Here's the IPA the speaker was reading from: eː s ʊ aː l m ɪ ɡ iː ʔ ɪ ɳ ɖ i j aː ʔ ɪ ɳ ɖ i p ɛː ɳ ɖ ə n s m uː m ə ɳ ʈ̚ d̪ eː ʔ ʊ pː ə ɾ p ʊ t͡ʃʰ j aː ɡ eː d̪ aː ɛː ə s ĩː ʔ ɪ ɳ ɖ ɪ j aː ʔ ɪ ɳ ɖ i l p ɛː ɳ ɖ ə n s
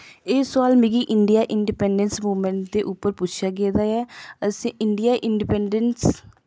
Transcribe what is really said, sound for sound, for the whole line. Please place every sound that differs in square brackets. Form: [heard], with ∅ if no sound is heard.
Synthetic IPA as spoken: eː s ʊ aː l m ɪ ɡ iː ʔ ɪ ɳ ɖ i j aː ʔ ɪ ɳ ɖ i p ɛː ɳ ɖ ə n s m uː m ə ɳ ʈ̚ d̪ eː ʔ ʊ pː ə ɾ p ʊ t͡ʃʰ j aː ɡ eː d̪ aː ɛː ə s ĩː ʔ ɪ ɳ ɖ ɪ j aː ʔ ɪ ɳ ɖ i [∅] p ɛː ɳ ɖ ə n s